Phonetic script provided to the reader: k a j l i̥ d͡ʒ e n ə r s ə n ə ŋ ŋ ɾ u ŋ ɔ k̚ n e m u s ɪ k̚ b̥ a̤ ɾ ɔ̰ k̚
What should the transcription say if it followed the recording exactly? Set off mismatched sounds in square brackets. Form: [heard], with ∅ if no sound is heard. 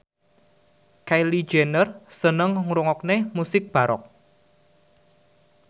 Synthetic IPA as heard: k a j l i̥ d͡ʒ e n ə r s ə n ə ŋ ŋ ɾ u ŋ ɔ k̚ n e m u s ɪ k̚ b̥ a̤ ɾ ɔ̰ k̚